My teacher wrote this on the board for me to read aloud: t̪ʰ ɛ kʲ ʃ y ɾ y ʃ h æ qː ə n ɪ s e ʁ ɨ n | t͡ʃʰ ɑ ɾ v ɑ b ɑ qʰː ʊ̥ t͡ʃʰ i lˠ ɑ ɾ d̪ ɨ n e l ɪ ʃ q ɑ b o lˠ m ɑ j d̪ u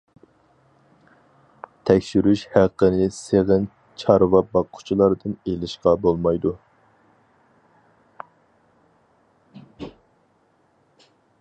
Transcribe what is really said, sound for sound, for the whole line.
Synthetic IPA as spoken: t̪ʰ ɛ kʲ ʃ y ɾ y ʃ h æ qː ə n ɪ s e ʁ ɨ n | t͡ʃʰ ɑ ɾ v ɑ b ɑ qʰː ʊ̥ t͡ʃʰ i lˠ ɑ ɾ d̪ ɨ n e l ɪ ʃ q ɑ b o lˠ m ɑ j d̪ u

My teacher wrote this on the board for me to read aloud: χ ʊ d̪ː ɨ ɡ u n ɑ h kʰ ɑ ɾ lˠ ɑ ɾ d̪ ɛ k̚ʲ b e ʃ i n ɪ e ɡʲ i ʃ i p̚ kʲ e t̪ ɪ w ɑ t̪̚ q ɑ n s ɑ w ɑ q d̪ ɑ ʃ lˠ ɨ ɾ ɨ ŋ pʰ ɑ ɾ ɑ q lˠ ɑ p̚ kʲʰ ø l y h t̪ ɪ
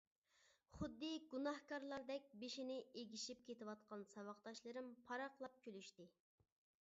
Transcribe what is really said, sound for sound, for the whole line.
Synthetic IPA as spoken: χ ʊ d̪ː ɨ ɡ u n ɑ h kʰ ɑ ɾ lˠ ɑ ɾ d̪ ɛ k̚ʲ b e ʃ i n ɪ e ɡʲ i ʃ i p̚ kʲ e t̪ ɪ w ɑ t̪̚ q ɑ n s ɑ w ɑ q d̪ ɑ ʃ lˠ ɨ ɾ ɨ m pʰ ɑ ɾ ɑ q lˠ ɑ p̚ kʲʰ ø l y ʃ t̪ ɪ

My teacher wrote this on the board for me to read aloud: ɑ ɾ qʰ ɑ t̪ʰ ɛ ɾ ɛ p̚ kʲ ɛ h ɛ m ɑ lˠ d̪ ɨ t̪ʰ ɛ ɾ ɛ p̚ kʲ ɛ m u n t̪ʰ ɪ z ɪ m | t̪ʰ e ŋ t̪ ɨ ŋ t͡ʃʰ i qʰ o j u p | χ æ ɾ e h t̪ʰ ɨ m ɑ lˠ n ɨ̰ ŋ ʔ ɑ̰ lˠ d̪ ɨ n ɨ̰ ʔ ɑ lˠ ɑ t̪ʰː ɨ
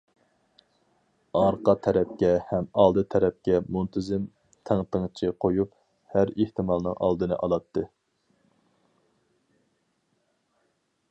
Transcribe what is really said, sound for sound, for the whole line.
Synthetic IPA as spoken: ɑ ɾ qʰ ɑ t̪ʰ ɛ ɾ ɛ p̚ kʲ ɛ h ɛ m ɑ lˠ d̪ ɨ t̪ʰ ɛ ɾ ɛ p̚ kʲ ɛ m u n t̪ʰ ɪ z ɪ m | t̪ʰ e ŋ t̪ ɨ ŋ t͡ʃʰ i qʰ o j u p | h æ ɾ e h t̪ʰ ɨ m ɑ lˠ n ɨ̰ ŋ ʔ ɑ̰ lˠ d̪ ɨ n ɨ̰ ʔ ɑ lˠ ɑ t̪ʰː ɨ

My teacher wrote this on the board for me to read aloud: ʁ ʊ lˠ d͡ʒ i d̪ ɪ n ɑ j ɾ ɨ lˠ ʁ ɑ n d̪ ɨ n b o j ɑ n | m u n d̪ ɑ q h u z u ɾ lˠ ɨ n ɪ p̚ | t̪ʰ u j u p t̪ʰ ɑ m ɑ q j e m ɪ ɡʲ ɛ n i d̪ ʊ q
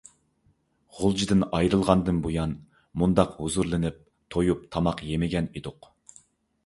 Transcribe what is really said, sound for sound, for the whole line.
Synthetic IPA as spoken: ʁ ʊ lˠ d͡ʒ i d̪ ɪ n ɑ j ɾ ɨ lˠ ʁ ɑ n d̪ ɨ n b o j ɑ n | m u n d̪ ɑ q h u z u ɾ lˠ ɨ n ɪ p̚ | t̪ʰ o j u p t̪ʰ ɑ m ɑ q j e m ɪ ɡʲ ɛ n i d̪ ʊ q

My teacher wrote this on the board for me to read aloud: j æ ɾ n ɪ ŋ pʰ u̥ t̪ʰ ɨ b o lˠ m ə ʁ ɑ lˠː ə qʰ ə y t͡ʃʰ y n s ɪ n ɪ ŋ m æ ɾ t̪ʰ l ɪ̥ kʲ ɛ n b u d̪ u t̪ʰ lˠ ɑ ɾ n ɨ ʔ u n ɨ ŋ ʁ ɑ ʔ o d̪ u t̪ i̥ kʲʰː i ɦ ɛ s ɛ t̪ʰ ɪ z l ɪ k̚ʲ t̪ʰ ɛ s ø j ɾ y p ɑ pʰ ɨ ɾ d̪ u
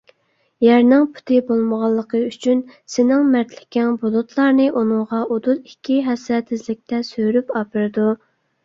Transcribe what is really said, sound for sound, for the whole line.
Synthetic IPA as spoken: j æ ɾ n ɪ ŋ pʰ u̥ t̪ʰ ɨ b o lˠ m ə ʁ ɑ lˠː ə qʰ ə y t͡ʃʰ y n s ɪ n ɪ ŋ m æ ɾ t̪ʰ l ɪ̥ kʲ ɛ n b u d̪ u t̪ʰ lˠ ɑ ɾ n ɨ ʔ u n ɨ ŋ ʁ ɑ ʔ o d̪ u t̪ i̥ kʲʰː i ɦ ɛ s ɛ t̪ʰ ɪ z l ɪ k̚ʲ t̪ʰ ɛ s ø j ɾ y p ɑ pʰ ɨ ɾ d̪ u

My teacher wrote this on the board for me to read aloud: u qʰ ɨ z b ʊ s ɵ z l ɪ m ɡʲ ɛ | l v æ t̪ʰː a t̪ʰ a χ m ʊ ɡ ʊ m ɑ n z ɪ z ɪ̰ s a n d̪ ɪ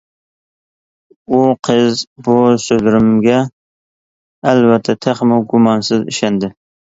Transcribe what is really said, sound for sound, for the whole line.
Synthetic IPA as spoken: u qʰ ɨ z b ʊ s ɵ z ɾ ɪ m ɡʲ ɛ | l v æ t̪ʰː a t̪ʰ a χ m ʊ ɡ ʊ m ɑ n s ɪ z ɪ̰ ʃ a n d̪ ɪ

